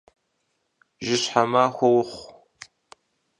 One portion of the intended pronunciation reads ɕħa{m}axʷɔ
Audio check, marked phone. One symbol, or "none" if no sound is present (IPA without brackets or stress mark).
m